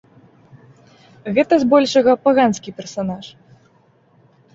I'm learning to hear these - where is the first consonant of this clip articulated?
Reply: velum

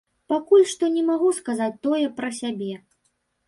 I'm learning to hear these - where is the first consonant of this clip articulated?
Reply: lips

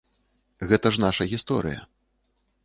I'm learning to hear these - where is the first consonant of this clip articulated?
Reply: velum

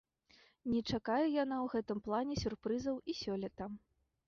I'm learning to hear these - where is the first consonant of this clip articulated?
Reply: tongue tip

